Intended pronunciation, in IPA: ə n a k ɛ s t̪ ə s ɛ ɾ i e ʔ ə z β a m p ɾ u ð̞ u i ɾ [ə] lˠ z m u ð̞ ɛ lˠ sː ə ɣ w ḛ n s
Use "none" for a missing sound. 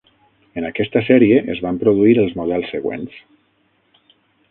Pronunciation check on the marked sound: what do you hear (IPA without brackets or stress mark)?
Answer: ə